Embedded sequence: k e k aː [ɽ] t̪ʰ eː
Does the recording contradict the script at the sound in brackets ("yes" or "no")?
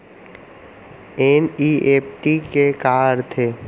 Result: yes